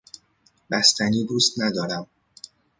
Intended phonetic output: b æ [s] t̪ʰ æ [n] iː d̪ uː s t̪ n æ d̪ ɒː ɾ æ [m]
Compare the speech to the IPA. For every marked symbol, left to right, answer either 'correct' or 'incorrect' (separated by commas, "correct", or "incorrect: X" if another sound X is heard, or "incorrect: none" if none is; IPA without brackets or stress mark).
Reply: correct, correct, correct